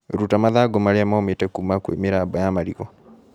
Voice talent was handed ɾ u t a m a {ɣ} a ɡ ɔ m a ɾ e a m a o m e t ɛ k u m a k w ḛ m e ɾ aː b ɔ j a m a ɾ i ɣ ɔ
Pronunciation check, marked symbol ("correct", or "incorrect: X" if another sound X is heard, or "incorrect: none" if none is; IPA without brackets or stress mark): incorrect: ð